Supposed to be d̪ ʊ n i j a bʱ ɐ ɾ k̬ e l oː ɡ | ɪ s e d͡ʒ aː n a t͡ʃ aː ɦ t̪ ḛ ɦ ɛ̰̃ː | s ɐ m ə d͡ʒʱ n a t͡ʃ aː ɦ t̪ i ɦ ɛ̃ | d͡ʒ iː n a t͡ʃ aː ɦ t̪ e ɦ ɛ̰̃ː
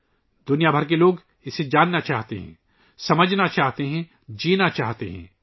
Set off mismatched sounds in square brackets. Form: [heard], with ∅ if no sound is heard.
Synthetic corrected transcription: d̪ ʊ n i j a bʱ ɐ ɾ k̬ e l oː ɡ | ɪ s e d͡ʒ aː [nː] a t͡ʃ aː ɦ t̪ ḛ ɦ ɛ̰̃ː | s ɐ m ə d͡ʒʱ n a t͡ʃ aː ɦ t̪ [e] ɦ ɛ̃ | d͡ʒ iː n a t͡ʃ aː ɦ t̪ e ɦ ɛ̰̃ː